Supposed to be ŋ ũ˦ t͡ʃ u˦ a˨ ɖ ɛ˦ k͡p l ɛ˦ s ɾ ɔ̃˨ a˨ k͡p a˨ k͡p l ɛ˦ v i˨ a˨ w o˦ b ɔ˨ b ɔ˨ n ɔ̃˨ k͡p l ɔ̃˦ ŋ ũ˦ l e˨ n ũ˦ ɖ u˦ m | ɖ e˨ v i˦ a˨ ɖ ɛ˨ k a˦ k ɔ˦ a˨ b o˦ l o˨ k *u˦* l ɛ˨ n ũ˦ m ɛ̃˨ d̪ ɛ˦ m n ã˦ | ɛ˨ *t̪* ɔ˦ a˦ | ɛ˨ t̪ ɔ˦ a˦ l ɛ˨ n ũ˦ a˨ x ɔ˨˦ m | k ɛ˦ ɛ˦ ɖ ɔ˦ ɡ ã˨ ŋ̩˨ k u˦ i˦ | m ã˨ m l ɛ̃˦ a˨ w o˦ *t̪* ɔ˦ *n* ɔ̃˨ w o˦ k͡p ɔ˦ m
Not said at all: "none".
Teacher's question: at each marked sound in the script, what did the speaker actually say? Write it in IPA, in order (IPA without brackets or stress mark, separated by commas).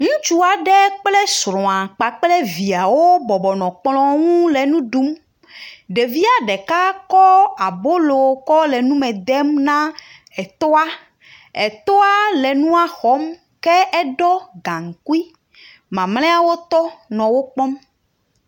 ɔ˦, t̪, t̪, n